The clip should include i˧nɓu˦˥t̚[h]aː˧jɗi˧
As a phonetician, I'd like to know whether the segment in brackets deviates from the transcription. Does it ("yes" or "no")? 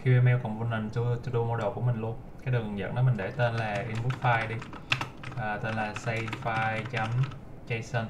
yes